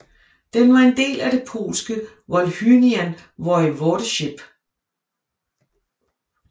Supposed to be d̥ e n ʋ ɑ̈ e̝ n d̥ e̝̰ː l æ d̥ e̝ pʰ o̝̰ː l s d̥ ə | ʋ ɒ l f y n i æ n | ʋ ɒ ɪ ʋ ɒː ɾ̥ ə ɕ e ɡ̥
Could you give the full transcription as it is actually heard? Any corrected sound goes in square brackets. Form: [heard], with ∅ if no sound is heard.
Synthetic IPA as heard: d̥ e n ʋ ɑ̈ e̝ n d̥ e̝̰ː l æ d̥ e̝ pʰ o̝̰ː l s [ɡ̥] ə | ʋ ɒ l [h] y n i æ n | ʋ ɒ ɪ ʋ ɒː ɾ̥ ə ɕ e [b̥]